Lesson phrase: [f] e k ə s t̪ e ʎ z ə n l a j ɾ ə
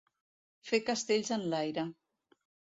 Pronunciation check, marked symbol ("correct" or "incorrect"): correct